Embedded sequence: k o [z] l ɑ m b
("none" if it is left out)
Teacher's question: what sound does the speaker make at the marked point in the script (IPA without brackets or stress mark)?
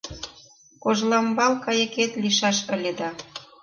ʒ